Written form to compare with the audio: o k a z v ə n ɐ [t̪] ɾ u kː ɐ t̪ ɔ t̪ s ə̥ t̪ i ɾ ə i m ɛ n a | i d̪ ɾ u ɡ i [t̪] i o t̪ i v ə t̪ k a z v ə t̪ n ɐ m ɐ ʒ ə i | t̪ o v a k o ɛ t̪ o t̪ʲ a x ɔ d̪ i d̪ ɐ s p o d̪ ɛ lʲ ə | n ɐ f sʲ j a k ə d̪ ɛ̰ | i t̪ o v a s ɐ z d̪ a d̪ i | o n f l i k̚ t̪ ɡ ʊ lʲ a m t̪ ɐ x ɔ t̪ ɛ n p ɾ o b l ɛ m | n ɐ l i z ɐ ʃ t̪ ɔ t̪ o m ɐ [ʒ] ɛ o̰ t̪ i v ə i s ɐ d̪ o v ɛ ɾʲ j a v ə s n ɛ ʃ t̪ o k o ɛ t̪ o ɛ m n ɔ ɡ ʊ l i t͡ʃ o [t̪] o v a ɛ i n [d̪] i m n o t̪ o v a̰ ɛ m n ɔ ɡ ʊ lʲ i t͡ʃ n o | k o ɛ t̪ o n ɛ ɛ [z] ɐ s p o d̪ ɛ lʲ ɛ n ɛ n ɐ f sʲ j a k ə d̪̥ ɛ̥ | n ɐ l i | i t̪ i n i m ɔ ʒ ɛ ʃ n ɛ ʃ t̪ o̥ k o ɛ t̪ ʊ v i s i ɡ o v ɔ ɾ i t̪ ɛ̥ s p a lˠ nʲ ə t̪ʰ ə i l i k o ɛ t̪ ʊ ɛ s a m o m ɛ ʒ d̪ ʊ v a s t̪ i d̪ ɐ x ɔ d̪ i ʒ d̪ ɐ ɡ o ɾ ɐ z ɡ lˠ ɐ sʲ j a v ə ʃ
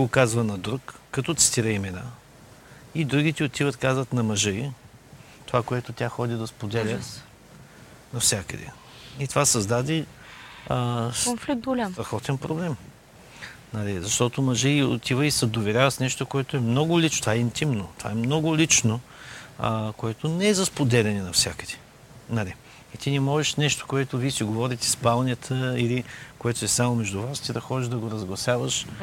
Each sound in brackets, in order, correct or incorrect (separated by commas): incorrect, correct, correct, correct, incorrect, correct